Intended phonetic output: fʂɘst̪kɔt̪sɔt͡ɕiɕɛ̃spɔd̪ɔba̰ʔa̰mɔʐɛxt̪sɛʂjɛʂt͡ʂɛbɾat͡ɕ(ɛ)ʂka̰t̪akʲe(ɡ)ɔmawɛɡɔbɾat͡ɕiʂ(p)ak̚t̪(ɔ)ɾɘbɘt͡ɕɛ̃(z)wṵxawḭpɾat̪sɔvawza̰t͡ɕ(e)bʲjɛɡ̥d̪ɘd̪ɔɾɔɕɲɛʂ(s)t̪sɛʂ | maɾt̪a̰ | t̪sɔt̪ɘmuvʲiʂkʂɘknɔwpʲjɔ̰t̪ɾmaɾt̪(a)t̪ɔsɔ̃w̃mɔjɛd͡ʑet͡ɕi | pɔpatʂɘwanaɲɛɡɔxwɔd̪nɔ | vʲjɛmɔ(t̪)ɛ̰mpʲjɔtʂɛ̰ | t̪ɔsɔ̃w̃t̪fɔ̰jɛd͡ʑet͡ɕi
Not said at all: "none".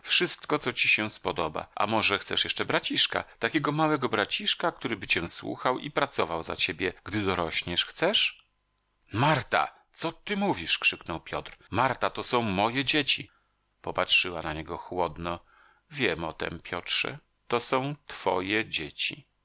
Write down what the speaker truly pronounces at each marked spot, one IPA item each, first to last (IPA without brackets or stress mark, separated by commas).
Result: i, ɡ, k, u, s, e, x, a, t̪